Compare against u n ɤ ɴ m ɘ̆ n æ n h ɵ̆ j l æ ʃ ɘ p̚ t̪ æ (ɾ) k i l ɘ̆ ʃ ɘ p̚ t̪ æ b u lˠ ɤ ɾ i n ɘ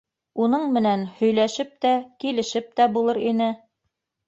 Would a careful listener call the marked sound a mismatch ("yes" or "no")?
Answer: yes